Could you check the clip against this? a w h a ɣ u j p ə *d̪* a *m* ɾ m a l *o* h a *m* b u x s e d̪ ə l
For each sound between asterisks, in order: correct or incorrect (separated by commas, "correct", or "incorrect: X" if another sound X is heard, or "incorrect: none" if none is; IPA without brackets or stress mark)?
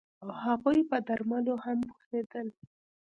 correct, incorrect: none, correct, correct